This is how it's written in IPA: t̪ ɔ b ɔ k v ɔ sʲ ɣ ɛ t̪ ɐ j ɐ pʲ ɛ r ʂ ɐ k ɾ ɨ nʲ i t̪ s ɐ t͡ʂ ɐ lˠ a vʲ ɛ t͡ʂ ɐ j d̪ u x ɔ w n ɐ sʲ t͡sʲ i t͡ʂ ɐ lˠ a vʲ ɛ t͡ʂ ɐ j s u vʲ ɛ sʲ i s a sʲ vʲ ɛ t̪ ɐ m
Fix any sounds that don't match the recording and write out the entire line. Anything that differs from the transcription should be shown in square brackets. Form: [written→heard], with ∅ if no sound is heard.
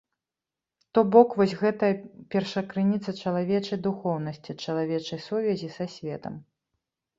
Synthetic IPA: t̪ ɔ b ɔ k v ɔ sʲ ɣ ɛ t̪ ɐ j ɐ pʲ ɛ r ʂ ɐ k ɾ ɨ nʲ i t̪ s ɐ t͡ʂ ɐ lˠ a vʲ ɛ t͡ʂ ɐ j d̪ u x ɔ w n ɐ sʲ t͡sʲ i t͡ʂ ɐ lˠ a vʲ ɛ t͡ʂ ɐ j s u vʲ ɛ [sʲ→zʲ] i s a sʲ vʲ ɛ t̪ ɐ m

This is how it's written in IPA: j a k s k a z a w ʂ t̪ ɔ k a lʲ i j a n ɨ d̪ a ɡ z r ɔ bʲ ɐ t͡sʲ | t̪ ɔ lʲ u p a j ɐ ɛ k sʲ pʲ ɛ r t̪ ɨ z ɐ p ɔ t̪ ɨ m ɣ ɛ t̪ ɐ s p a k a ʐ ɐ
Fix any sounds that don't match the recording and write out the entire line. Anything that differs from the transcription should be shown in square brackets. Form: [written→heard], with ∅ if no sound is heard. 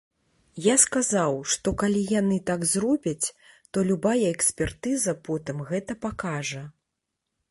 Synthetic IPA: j a [k→∅] s k a z a w ʂ t̪ ɔ k a lʲ i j a n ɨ [d̪→t̪] a ɡ z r ɔ bʲ ɐ t͡sʲ | t̪ ɔ lʲ u [p→b] a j ɐ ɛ k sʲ pʲ ɛ r t̪ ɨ z ɐ p ɔ t̪ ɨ m ɣ ɛ t̪ ɐ [s→∅] p a k a ʐ ɐ

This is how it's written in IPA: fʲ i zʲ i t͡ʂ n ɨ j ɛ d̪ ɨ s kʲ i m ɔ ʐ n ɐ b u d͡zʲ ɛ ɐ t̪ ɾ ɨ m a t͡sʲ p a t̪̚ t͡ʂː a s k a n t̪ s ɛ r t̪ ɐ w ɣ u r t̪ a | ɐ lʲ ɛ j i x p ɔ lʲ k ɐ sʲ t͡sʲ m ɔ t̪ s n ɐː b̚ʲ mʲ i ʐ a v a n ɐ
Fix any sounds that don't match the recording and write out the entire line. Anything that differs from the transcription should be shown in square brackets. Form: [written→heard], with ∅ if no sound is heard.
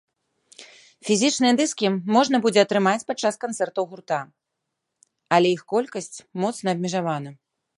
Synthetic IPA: fʲ i zʲ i t͡ʂ n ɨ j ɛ d̪ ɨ s kʲ i m ɔ ʐ n ɐ b u d͡zʲ ɛ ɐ t̪ ɾ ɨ m a t͡sʲ p a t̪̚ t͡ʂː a s k a n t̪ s ɛ r t̪ ɐ w ɣ u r t̪ a | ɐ lʲ ɛ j i x [p→k] ɔ lʲ k ɐ sʲ t͡sʲ m ɔ t̪ s n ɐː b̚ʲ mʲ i ʐ a v a n ɐ

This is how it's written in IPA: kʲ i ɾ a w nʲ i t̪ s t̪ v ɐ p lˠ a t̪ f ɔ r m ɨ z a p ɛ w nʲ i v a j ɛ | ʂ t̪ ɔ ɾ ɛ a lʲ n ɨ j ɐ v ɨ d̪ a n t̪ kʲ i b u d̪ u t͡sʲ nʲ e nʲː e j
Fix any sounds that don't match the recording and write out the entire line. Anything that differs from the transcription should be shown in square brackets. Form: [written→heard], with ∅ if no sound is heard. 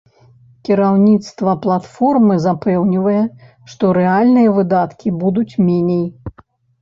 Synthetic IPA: kʲ i ɾ a w nʲ i t̪ s t̪ v ɐ p lˠ a t̪ f ɔ r m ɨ z a p ɛ w nʲ i v [a→ɐ] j ɛ | ʂ t̪ ɔ ɾ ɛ a lʲ n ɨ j ɐ v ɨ d̪ a [n→∅] t̪ kʲ i b u d̪ u t͡sʲ [nʲ→mʲ] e [nʲː→nʲ] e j

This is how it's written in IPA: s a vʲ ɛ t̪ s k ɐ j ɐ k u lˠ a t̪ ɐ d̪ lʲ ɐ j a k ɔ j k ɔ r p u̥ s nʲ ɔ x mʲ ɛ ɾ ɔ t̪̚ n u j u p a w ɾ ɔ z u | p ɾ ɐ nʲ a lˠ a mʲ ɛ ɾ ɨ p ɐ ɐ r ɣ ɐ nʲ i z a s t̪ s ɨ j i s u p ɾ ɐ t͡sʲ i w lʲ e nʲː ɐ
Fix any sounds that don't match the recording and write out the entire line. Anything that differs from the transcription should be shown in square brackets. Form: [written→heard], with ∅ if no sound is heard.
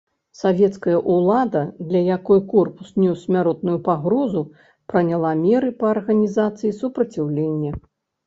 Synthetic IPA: s a vʲ ɛ t̪ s k ɐ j ɐ [k→ʔ] u lˠ a [t̪→d̪] ɐ d̪ lʲ ɐ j a k ɔ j k ɔ r p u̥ s nʲ ɔ [x→s] mʲ [ɛ→a] ɾ ɔ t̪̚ n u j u p a [w→ɣ] ɾ ɔ z u | p ɾ ɐ nʲ a lˠ a mʲ ɛ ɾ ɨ p ɐ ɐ r ɣ ɐ nʲ i z a [s→∅] t̪ s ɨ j i s u p ɾ ɐ t͡sʲ i w lʲ e nʲː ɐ

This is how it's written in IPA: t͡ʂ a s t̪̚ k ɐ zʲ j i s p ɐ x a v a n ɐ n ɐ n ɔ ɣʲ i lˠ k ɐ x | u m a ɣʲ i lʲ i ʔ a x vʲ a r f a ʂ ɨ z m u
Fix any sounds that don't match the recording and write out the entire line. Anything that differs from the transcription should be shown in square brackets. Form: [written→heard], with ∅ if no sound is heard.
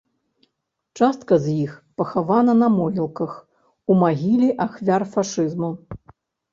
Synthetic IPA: t͡ʂ a s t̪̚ k ɐ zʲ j i [s→x] p ɐ x a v a n ɐ n ɐ [n→m] ɔ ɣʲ i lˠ k ɐ x | u m a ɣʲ i lʲ i ʔ a x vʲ a r f a ʂ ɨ z m u

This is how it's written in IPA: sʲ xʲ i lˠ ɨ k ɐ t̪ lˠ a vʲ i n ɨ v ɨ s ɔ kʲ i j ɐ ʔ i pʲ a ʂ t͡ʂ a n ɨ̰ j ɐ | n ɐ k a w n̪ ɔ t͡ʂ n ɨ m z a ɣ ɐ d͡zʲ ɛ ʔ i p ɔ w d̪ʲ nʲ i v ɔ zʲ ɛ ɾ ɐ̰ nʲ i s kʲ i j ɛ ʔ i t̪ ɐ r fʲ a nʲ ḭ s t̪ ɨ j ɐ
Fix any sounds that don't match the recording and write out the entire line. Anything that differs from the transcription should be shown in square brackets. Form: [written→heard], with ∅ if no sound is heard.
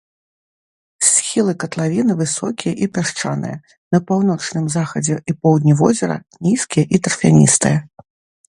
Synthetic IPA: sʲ xʲ i lˠ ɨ k ɐ t̪ lˠ a vʲ i n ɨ v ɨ s ɔ kʲ i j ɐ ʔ i pʲ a ʂ t͡ʂ a n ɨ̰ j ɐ | n ɐ [k→p] a w n̪ ɔ t͡ʂ n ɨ m z a [ɣ→x] ɐ d͡zʲ ɛ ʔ i p ɔ w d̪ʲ nʲ i v ɔ zʲ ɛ ɾ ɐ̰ nʲ i s kʲ i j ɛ ʔ i t̪ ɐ r fʲ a nʲ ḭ s t̪ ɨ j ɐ

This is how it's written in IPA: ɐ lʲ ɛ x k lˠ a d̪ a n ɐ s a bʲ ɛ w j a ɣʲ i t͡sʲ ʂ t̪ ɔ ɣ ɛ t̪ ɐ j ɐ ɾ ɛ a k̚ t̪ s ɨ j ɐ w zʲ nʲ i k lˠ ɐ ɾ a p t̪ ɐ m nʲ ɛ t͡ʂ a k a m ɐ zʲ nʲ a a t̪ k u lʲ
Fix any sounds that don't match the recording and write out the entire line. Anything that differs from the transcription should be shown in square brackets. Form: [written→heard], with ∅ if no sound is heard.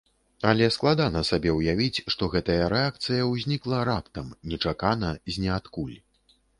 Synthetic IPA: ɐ lʲ ɛ [x→s] k lˠ a d̪ a n ɐ s a bʲ ɛ w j a [ɣʲ→vʲ] i t͡sʲ ʂ t̪ ɔ ɣ ɛ t̪ ɐ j ɐ ɾ ɛ a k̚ t̪ s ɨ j ɐ w zʲ nʲ i k lˠ ɐ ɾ a p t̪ ɐ m nʲ ɛ t͡ʂ a k a [m→n] ɐ zʲ nʲ [a→ɛ] a t̪ k u lʲ

